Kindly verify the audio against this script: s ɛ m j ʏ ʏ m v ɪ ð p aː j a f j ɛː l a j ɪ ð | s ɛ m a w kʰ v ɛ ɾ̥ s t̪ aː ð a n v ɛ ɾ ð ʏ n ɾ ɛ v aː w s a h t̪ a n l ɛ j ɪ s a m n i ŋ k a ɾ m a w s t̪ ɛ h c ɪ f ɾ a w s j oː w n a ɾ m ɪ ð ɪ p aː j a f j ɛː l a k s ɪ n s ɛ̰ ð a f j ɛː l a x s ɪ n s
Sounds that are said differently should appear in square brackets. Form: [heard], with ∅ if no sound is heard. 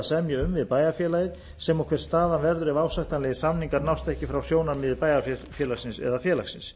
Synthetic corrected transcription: s ɛ m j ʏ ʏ m v ɪ ð p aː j a f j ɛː l a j ɪ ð | s ɛ m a w kʰ v ɛ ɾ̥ s t̪ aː ð a n v ɛ ɾ ð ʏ [∅] ɾ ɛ v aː w s a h t̪ a n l ɛ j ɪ s a m n i ŋ k a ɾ [n] a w s t̪ ɛ h c ɪ f ɾ a w s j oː w n a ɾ m ɪ ð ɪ p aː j a f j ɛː l a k s ɪ n s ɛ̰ ð a f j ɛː l a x s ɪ n s